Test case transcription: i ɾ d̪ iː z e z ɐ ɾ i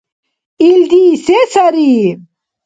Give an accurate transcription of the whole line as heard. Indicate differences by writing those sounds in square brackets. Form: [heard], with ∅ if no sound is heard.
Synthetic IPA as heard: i [l] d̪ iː [s] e [s] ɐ ɾ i